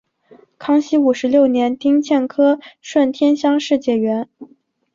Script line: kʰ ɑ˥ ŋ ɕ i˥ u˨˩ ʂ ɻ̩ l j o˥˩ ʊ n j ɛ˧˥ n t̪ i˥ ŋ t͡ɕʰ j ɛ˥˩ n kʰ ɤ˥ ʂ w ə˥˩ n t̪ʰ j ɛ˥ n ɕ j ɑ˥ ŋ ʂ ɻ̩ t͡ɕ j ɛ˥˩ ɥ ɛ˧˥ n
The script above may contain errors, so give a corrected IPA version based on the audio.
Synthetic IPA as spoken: kʰ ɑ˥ ŋ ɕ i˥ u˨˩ ʂ ɻ̩ l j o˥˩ ʊ n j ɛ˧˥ n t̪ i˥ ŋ t͡ɕʰ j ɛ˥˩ n kʰ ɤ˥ ʂ w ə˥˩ n t̪ʰ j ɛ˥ n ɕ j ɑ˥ ŋ ʂ ɻ̩ t͡ɕ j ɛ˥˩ ɥ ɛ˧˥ n

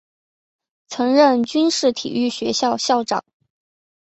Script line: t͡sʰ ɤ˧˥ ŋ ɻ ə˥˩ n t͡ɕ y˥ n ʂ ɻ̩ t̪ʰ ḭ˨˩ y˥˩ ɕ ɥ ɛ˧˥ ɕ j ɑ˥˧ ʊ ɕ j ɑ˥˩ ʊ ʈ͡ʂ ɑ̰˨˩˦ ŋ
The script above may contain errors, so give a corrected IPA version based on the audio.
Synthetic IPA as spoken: t͡sʰ ɤ˧˥ ŋ ɻ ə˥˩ n t͡ɕ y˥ n ʂ ɻ̩ t̪ʰ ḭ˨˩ y˥˩ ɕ ɥ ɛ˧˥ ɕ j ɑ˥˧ ʊ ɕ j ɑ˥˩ ʊ ʈ͡ʂ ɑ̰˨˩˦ ŋ

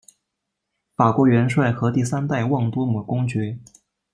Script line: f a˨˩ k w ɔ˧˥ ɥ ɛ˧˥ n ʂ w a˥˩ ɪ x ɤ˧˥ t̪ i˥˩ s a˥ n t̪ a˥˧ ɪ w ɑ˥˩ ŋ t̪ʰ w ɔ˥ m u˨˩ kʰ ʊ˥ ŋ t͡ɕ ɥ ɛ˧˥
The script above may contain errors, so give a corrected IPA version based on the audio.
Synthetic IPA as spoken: f a˨˩ k w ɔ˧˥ ɥ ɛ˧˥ n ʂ w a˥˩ ɪ x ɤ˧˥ t̪ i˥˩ s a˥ n t̪ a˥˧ ɪ w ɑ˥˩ ŋ t̪ w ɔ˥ m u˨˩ k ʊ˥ ŋ t͡ɕ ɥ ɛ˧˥

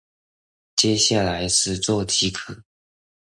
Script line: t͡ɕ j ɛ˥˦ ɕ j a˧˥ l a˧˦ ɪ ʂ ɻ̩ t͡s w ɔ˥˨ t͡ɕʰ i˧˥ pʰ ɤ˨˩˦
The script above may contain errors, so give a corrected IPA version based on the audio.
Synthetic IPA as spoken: t͡ɕ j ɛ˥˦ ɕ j a˥˩ l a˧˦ ɪ ʂ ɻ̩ t͡s w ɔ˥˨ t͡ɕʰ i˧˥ kʰ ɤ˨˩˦

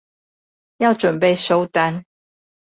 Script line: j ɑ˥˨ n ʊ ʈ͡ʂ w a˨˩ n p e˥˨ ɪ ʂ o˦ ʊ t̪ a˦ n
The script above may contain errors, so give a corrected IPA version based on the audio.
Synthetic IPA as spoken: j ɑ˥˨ ʊ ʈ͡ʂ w ə˨˩ n p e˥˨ ɪ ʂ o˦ ʊ t̪ a˦ n

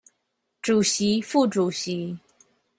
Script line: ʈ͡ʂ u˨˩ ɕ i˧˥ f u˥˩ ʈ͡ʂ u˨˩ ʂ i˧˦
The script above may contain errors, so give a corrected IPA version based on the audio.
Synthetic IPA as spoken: ʈ͡ʂ u˨˩ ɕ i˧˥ f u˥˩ ʈ͡ʂ u˨˩ ɕ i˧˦

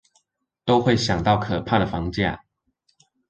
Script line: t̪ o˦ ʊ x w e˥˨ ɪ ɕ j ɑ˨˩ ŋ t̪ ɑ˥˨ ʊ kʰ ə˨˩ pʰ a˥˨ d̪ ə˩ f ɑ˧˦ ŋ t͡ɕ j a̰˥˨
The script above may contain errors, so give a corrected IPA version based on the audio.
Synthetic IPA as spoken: t̪ o˦ ʊ x w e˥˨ ɪ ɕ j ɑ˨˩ ŋ t̪ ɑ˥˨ ʊ kʰ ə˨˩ pʰ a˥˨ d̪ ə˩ f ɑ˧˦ ŋ t͡ɕ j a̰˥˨

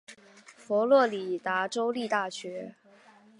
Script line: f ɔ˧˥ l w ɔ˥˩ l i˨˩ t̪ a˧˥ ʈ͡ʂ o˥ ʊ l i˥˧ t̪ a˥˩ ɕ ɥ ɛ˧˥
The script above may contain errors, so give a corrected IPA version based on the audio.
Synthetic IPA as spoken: f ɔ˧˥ l w ɔ˥˩ l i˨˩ t̪ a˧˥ ʈ͡ʂ o˥ ʊ l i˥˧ t̪ a˥˩ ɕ ɥ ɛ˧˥

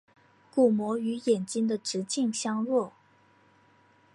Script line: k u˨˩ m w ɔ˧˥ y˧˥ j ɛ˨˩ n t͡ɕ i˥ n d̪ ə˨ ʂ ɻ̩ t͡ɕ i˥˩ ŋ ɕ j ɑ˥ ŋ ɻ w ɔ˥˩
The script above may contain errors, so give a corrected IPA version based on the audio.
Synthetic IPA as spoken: k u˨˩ m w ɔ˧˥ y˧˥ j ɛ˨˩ n t͡ɕ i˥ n d̪ ə˨ ʈ͡ʂ ɻ̩ t͡ɕ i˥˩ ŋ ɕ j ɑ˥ ŋ ɻ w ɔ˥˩

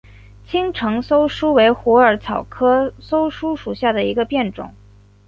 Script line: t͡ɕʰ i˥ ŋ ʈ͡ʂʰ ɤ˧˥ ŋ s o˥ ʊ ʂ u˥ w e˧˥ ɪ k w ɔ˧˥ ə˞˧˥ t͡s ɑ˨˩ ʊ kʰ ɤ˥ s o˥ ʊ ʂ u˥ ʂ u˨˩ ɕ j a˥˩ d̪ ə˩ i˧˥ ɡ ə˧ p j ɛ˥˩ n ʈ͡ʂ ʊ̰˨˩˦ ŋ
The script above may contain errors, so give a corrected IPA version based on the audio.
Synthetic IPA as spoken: t͡ɕʰ i˥ ŋ ʈ͡ʂʰ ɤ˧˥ ŋ s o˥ ʊ ʂ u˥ w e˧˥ ɪ x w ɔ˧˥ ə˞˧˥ t͡sʰ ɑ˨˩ ʊ kʰ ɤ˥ s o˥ ʊ ʂ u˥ ʂ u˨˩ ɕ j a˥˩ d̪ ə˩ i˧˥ ɡ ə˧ p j ɛ˥˩ n ʈ͡ʂ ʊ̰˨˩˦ ŋ

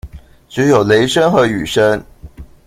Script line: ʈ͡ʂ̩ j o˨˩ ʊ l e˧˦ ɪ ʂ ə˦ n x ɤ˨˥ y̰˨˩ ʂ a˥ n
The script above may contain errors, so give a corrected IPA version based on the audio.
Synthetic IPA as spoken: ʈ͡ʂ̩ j o˨˩ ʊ l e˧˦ ɪ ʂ ə˦ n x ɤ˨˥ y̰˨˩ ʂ ə˥ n

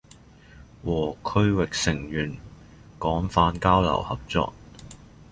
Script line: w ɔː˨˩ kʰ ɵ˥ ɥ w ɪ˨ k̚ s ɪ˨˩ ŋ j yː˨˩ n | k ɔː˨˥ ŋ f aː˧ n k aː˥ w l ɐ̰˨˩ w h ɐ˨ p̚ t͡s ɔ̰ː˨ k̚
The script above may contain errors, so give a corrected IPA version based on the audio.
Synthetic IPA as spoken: w ɔː˨˩ kʰ ɵ˥ ɥ w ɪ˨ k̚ s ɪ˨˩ ŋ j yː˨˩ n | k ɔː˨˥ ŋ f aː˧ n k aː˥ w l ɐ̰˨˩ w h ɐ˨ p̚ t͡s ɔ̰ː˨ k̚

